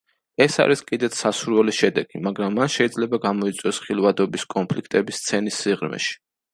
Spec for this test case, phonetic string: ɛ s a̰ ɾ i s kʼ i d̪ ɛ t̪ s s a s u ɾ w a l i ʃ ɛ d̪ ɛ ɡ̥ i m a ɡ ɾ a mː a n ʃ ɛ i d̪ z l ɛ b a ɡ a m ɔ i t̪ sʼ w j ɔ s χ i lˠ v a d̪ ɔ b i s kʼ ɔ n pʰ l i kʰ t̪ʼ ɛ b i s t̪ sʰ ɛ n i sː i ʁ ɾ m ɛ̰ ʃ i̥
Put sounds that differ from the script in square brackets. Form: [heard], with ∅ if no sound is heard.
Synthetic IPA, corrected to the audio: ɛ s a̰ ɾ i s kʼ i d̪ ɛ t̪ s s a s u ɾ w [ɛ] l i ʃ ɛ d̪ ɛ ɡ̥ i m a ɡ ɾ a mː a n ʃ ɛ i d̪ z l ɛ b a ɡ a m ɔ i t̪ sʼ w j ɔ s χ i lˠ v a d̪ ɔ b i s kʼ ɔ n pʰ l i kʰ t̪ʼ ɛ b i s t̪ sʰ ɛ n i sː i ʁ ɾ m ɛ̰ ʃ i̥